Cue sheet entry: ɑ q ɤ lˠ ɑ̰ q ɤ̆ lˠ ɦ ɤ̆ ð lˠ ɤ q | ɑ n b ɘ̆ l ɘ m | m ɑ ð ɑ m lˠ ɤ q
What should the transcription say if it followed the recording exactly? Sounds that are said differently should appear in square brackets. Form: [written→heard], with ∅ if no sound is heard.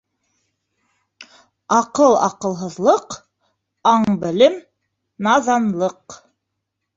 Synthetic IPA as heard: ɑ q ɤ lˠ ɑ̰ q ɤ̆ lˠ ɦ ɤ̆ ð lˠ ɤ q | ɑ [n→ɴ] b ɘ̆ l ɘ m | [m→n] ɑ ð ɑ [m→n] lˠ ɤ q